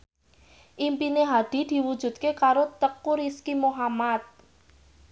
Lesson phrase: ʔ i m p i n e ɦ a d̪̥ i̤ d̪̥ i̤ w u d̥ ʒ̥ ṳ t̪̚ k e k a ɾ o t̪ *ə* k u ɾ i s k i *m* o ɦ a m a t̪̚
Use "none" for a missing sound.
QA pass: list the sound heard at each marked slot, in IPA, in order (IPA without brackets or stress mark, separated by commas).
ə, m